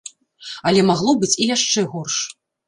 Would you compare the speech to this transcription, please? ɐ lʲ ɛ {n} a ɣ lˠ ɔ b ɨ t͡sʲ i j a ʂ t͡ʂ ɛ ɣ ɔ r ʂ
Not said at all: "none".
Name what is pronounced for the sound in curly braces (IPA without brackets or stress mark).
m